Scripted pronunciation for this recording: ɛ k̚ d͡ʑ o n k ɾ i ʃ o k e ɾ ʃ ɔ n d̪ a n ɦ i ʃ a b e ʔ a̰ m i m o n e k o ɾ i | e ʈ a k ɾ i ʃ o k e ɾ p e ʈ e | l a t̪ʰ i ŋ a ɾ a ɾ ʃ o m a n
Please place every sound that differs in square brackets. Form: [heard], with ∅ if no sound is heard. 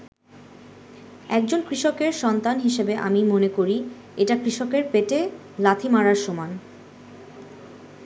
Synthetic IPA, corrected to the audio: ɛ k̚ d͡ʑ o n k ɾ i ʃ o k e ɾ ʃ ɔ n [t̪] a n ɦ i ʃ [e] b e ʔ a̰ m i m o n e k o ɾ i | e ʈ a k ɾ i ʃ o k e ɾ p e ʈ e | l a t̪ʰ i [m] a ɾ a ɾ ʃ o m a n